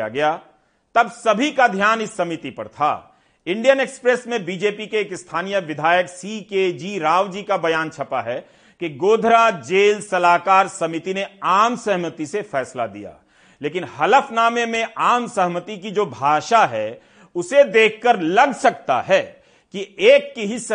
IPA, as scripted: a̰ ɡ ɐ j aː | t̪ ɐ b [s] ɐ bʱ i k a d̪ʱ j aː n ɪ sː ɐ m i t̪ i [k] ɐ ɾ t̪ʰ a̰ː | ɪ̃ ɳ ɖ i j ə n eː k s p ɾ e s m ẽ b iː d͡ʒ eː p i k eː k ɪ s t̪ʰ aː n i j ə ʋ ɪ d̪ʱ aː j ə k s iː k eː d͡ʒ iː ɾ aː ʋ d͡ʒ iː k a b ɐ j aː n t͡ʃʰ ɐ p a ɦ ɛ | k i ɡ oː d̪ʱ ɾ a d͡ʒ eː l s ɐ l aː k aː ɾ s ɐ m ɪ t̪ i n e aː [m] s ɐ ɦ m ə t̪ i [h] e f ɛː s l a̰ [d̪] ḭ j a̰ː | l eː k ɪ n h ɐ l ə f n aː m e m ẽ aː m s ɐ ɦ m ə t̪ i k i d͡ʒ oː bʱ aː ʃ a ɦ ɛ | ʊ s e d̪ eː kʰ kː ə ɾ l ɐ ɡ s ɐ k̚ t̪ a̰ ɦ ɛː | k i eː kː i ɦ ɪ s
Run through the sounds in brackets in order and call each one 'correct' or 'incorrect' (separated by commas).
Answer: correct, incorrect, correct, incorrect, correct